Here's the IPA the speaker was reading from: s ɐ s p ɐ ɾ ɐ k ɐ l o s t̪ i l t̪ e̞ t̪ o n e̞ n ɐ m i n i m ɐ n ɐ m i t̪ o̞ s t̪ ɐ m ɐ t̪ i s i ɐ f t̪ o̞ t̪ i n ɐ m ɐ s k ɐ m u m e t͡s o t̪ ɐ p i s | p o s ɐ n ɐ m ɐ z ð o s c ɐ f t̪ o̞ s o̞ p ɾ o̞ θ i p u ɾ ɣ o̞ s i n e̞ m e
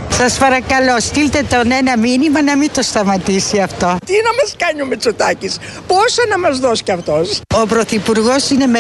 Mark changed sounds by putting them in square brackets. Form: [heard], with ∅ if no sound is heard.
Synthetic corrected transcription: s ɐ s p ɐ ɾ ɐ k ɐ l o s t̪ i l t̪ e̞ t̪ o n e̞ n ɐ m i n i m ɐ n ɐ m i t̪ o̞ s t̪ ɐ m ɐ t̪ i s i ɐ f t̪ o̞ t̪ i n ɐ m ɐ s k ɐ [ɲ] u m e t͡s o t̪ ɐ [c] i s | p o s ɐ n ɐ m ɐ z ð o s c ɐ f t̪ o̞ s o̞ p ɾ o̞ θ i p u ɾ ɣ o̞ s i n e̞ m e